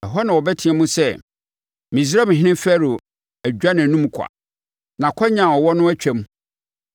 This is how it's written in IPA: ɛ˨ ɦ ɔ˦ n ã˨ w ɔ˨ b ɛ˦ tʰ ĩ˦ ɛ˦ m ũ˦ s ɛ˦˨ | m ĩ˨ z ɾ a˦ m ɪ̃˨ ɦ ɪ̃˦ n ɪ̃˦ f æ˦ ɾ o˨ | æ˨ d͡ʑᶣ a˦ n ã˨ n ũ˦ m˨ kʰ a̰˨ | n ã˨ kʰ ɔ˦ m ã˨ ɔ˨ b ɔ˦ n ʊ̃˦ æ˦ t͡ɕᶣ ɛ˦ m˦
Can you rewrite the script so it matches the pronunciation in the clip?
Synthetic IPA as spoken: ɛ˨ ɦ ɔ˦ n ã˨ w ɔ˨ b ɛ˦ tʰ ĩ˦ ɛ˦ m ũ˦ s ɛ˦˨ | m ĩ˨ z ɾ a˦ m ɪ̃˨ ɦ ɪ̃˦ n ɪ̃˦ f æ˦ ɾ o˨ | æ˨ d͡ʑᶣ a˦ n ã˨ n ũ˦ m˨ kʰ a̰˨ | n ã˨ kʰ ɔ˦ ɲ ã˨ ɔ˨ w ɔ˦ n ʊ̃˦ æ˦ t͡ɕᶣ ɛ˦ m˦